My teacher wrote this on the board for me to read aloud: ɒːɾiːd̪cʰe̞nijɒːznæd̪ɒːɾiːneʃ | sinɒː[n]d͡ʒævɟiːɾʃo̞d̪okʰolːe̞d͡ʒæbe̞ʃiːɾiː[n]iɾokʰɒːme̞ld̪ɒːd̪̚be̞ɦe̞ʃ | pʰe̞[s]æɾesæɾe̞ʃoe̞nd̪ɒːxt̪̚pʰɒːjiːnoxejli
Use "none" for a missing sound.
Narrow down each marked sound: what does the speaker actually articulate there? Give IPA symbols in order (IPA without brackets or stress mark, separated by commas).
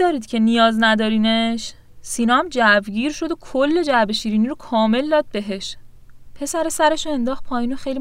m, n, s